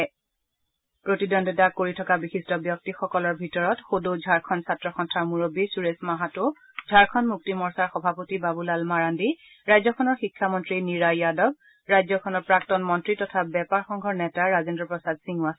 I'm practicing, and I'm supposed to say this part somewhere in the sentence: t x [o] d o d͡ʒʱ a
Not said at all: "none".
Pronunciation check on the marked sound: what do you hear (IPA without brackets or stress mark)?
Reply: o